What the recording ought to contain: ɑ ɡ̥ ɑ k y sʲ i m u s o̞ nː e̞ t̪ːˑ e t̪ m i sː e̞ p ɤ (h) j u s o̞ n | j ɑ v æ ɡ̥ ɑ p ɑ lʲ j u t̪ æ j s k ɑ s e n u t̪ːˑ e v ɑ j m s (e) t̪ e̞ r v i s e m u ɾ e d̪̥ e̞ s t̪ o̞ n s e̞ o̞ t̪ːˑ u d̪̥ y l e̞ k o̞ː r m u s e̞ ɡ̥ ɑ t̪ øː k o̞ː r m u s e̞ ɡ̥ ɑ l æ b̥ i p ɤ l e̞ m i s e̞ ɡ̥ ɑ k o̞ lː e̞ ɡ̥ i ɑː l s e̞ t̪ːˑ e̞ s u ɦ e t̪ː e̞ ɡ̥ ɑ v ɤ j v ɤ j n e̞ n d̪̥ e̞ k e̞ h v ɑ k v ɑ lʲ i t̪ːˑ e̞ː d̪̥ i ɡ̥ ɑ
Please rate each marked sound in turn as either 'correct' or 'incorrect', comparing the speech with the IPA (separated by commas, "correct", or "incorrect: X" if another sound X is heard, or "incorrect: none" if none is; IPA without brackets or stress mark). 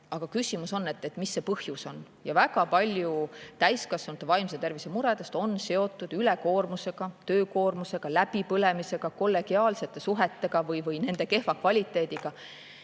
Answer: correct, correct